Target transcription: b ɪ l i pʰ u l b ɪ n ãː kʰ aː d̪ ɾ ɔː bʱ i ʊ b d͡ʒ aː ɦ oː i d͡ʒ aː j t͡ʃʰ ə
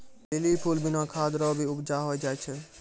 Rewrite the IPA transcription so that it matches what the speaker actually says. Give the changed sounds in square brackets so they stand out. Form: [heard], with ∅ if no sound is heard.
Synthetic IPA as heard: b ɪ l i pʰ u l b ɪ n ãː kʰ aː d̪ ɾ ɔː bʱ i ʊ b d͡ʒ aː ɦ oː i d͡ʒ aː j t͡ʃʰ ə